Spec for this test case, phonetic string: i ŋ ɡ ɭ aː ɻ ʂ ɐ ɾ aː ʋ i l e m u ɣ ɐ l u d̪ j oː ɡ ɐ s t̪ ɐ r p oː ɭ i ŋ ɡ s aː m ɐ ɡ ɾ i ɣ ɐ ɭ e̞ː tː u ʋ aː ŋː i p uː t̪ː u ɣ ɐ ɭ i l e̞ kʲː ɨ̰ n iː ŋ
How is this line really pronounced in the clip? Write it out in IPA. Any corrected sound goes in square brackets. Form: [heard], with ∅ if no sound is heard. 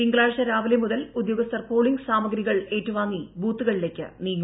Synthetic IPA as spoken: i ŋ ɡ ɭ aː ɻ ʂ ɐ ɾ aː ʋ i l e m u [ð] ɐ l u d̪ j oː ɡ ɐ s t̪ ɐ r p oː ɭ i ŋ ɡ s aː m ɐ ɡ ɾ i ɣ ɐ ɭ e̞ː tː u ʋ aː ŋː i [b] uː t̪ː u ɣ ɐ ɭ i l e̞ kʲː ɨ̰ n iː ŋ